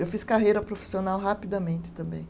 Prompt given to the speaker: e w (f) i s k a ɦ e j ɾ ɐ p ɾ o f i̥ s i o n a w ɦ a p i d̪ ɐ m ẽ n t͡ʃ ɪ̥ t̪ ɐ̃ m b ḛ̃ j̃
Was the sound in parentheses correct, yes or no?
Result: yes